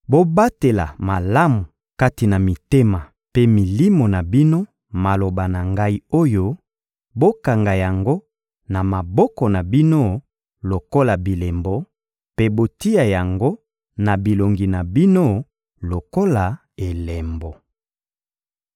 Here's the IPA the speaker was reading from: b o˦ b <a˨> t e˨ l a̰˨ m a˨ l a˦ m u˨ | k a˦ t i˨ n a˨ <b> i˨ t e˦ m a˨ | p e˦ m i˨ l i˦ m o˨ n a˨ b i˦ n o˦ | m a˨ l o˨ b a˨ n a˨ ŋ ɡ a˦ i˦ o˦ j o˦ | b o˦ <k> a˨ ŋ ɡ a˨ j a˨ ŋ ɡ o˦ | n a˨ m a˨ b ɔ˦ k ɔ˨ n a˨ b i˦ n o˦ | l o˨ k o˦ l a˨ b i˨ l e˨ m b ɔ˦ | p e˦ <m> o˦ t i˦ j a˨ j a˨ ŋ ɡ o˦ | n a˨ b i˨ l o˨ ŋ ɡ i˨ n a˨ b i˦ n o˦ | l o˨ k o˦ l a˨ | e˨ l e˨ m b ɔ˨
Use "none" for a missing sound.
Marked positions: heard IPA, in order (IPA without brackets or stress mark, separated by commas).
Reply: a˦, m, k, b